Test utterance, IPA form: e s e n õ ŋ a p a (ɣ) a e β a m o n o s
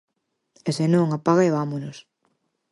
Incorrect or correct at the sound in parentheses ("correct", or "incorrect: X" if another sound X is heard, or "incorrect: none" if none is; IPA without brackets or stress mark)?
correct